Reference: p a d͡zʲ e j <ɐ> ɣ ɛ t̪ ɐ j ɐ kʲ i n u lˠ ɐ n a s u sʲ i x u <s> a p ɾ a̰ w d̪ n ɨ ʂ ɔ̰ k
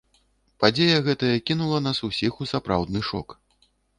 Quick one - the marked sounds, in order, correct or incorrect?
correct, correct

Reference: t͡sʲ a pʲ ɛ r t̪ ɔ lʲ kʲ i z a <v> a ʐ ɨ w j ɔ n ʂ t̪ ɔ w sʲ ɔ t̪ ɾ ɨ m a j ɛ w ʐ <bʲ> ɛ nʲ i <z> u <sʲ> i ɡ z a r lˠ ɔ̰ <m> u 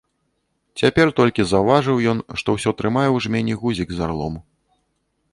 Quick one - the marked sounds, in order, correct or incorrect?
correct, incorrect: mʲ, incorrect: ɣ, incorrect: zʲ, correct

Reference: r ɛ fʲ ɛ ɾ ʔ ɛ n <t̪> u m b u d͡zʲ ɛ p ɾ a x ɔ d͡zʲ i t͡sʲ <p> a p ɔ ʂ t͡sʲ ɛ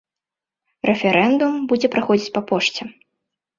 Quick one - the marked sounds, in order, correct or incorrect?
incorrect: d̪, correct

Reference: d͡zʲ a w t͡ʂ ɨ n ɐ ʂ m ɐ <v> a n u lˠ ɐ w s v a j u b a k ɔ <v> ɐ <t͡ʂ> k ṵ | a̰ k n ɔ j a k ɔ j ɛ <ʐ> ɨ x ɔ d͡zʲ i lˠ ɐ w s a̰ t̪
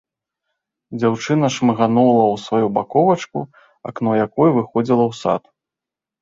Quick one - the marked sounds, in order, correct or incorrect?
incorrect: ɣ, correct, correct, incorrect: v

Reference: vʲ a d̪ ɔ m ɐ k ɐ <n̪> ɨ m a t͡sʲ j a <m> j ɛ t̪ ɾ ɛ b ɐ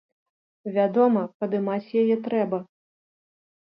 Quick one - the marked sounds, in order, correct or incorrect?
incorrect: d̪, incorrect: none

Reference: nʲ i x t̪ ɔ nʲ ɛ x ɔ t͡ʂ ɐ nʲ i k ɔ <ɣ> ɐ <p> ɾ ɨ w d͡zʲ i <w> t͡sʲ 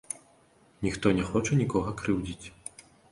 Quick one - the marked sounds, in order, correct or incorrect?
correct, incorrect: k, incorrect: none

